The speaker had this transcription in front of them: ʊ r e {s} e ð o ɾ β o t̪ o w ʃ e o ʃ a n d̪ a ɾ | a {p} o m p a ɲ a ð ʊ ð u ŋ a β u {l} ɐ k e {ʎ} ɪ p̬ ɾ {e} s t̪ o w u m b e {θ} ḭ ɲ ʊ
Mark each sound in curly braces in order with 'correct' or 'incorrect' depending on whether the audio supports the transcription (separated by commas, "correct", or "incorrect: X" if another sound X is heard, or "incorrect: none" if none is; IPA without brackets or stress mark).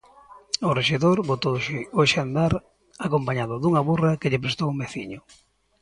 incorrect: ʃ, incorrect: k, incorrect: r, correct, correct, correct